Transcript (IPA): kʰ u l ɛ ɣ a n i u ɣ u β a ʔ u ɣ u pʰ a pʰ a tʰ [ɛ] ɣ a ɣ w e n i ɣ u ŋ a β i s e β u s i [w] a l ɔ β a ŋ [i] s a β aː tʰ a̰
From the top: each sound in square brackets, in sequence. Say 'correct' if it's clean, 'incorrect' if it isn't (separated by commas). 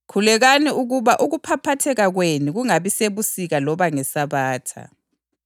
correct, incorrect, incorrect